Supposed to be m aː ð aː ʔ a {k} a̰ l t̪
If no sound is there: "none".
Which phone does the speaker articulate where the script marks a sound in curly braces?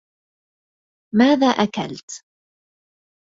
k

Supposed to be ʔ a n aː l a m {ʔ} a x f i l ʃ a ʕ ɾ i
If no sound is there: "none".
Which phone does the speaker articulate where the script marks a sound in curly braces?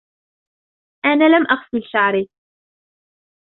ʔ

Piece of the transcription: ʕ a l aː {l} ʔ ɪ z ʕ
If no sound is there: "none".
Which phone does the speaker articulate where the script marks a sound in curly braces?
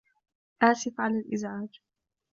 l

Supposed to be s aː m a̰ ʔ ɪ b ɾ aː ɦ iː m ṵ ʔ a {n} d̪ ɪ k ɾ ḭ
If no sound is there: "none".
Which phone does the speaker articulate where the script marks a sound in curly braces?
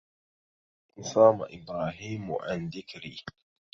n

